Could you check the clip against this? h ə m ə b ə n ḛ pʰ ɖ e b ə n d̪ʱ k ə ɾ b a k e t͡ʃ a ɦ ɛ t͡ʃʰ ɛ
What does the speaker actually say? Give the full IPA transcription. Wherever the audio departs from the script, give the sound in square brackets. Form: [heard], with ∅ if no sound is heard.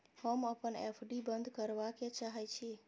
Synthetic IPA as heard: h ə m ə [p] ə n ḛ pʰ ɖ [i] b ə n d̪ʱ k ə ɾ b a k e t͡ʃ a ɦ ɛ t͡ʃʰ [i]